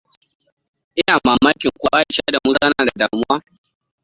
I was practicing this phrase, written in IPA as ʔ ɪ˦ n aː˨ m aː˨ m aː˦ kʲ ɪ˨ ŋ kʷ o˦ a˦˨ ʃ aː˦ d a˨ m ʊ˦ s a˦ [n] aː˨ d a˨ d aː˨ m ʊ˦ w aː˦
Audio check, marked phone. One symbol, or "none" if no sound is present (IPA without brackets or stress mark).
n